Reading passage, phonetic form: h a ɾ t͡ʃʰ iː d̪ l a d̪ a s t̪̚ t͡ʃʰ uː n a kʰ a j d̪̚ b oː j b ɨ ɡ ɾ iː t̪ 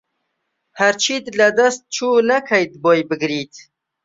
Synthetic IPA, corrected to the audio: h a ɾ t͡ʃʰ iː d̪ l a d̪ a s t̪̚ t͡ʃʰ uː n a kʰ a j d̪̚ b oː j b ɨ ɡ ɾ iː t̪